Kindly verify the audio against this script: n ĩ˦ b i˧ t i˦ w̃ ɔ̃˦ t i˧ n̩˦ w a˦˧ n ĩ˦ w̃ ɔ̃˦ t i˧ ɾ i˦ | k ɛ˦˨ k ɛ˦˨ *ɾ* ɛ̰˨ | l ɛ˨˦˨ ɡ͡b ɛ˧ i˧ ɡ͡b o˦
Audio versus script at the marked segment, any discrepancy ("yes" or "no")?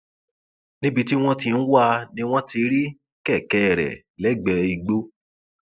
no